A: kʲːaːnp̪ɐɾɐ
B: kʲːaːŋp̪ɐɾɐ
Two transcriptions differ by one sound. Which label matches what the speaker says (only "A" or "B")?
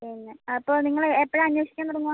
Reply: A